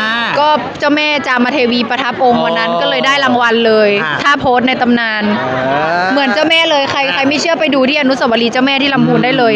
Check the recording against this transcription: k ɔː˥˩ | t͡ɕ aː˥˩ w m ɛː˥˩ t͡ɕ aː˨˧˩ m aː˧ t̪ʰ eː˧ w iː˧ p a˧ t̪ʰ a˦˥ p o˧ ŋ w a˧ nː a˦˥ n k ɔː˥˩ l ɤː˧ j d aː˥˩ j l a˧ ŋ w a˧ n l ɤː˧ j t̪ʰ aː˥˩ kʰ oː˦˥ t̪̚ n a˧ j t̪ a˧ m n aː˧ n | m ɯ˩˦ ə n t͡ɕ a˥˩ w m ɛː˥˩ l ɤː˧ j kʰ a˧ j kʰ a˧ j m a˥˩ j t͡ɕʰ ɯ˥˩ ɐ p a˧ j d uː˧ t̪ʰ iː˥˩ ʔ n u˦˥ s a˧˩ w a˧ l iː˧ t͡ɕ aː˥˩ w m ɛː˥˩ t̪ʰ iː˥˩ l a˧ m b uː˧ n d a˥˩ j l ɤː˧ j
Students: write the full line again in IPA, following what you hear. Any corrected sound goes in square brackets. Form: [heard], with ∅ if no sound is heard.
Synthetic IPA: k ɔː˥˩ | t͡ɕ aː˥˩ w m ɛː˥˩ t͡ɕ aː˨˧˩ m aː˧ t̪ʰ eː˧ w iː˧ p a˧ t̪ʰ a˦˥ p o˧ ŋ w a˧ nː a˦˥ n k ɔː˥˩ l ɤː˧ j d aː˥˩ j l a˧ ŋ w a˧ n l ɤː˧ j t̪ʰ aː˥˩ [pʰ] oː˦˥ t̪̚ n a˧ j t̪ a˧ m n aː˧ n | m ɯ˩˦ ə n t͡ɕ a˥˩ w m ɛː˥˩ l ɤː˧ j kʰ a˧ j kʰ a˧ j m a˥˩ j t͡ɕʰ ɯ˥˩ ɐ p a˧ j d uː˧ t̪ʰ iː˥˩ ʔ n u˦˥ s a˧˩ w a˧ l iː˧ t͡ɕ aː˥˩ w m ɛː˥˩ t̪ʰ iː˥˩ l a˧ m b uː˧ n d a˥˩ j l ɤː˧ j